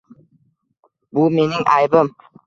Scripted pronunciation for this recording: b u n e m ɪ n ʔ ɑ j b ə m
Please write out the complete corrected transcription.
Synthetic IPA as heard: b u m e n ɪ ŋ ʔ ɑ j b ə m

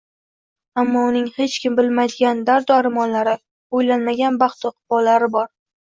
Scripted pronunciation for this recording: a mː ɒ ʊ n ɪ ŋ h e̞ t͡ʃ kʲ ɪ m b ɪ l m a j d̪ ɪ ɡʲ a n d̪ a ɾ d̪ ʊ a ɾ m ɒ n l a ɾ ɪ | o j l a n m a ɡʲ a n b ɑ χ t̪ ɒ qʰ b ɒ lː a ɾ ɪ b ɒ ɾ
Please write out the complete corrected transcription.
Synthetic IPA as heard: a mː ɒ ʊ n ɪ ŋ h e̞ t͡ʃ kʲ ɪ m b ɪ l m a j d̪ ɪ ɡʲ a n d̪ a ɾ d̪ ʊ a ɾ m ɒ n l a ɾ ɪ | o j l a n m a ɡʲ a n b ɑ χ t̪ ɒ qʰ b ɒ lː a ɾ ɪ b ɒ ɾ

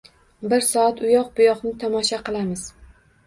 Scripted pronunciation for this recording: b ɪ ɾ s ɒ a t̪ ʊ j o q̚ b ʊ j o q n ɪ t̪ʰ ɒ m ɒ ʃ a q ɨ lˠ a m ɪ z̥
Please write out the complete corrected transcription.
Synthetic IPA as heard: b ɪ ɾ s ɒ a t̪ ʊ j ɒ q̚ b ʊ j ɒ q n ɪ t̪ʰ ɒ m ɒ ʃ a q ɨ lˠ a m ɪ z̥

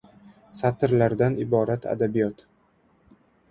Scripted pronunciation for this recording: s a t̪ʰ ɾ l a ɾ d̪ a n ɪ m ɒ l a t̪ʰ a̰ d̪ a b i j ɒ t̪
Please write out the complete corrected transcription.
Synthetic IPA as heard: s a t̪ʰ ɾ l a ɾ d̪ a n ɪ b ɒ ɾ a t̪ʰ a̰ d̪ a b i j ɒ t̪

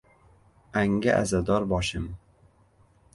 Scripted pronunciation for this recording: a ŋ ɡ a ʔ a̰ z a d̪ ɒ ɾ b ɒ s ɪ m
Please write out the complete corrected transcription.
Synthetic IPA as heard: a ŋ ɡ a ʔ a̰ z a d̪ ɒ ɾ b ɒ ʃ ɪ m

